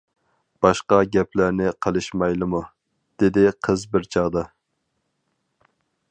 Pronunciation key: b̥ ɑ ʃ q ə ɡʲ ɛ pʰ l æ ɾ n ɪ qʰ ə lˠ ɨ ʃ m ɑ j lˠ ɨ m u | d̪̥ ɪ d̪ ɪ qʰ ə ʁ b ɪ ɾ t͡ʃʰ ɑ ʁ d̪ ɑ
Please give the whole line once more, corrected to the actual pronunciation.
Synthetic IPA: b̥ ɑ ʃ q ɑ ɡʲ ɛ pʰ l æ ɾ n ɪ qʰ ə lˠ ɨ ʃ m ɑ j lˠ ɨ m u | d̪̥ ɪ d̪ ɪ qʰ ə z b ɪ ɾ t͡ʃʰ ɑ ʁ d̪ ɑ